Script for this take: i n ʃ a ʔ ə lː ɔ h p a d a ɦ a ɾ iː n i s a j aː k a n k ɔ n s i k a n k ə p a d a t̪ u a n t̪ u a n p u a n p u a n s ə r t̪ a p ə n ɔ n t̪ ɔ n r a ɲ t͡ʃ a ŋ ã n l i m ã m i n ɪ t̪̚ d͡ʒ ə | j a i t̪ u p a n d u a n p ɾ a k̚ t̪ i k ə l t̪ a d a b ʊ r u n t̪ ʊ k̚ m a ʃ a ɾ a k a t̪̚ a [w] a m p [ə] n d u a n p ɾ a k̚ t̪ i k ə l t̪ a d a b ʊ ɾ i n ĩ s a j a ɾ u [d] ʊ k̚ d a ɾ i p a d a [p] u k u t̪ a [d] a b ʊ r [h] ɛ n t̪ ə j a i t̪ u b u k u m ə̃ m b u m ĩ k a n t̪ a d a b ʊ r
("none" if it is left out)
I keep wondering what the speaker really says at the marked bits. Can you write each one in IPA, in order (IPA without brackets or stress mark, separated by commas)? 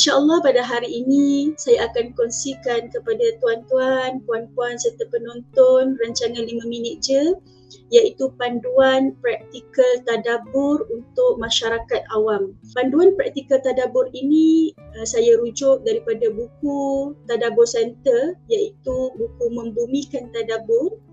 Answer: w, a, d͡ʒ, b, d, s